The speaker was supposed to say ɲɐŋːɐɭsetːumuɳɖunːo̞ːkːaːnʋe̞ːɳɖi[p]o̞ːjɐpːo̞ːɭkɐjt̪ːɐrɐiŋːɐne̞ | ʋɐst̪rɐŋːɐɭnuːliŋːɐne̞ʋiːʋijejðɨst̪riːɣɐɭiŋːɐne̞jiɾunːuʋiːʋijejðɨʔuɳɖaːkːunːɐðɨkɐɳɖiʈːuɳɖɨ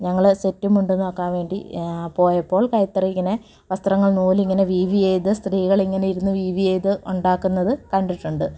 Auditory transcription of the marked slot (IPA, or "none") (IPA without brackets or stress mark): p